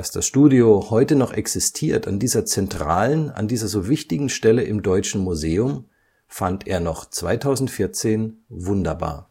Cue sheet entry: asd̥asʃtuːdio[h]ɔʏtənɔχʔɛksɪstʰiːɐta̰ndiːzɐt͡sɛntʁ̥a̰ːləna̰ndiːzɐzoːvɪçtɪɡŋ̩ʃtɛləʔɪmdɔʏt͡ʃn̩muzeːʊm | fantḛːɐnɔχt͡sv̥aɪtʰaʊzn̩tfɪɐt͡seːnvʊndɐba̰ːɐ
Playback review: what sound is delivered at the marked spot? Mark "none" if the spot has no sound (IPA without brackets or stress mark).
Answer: h